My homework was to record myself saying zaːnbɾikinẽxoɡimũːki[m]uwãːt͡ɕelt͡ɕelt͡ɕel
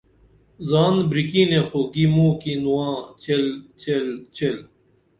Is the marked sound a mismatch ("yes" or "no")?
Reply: yes